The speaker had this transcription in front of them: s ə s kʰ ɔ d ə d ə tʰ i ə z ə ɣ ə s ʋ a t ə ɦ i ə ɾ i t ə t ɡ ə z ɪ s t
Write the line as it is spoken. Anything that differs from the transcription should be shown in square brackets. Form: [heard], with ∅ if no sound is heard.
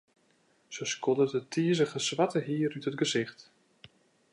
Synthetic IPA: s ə s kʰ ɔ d ə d ə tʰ i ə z ə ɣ ə s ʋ a t ə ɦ i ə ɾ [y] t ə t ɡ ə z ɪ [x] t